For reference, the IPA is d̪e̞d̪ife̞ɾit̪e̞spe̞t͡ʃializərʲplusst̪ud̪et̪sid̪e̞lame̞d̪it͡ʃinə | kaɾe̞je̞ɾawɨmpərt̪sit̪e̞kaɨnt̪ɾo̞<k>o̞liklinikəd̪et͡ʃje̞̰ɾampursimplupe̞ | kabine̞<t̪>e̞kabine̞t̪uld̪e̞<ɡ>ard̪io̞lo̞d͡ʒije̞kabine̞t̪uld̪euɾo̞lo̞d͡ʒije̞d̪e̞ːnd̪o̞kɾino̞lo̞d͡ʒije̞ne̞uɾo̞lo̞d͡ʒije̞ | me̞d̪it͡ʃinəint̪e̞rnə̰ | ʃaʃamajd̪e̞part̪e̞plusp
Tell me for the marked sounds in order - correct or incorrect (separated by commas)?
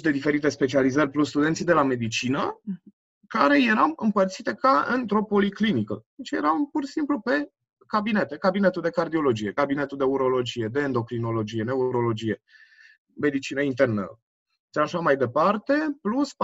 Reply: incorrect, correct, incorrect